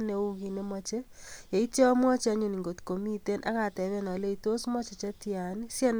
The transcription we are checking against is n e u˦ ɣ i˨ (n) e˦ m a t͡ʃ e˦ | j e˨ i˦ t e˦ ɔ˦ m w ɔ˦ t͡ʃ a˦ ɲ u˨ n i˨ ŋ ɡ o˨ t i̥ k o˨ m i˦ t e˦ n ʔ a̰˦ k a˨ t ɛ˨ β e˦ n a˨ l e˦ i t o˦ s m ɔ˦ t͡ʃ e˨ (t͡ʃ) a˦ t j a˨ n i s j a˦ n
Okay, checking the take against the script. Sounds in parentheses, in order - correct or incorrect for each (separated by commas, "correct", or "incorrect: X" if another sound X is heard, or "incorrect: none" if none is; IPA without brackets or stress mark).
correct, correct